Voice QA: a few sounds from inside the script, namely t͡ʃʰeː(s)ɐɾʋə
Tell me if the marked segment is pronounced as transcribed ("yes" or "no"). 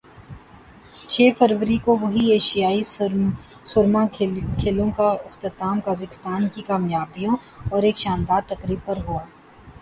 no